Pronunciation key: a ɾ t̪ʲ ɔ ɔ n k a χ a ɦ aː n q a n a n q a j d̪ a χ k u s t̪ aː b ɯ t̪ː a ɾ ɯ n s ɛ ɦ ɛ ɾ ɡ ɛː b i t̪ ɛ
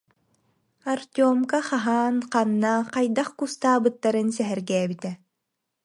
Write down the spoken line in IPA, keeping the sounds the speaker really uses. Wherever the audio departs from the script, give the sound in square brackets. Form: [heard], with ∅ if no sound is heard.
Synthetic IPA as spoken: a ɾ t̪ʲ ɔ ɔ [m] k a χ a ɦ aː n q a [nː] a [∅] q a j d̪ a χ k u s t̪ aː b ɯ t̪ː a ɾ ɯ n s ɛ ɦ ɛ ɾ ɡ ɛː b i t̪ ɛ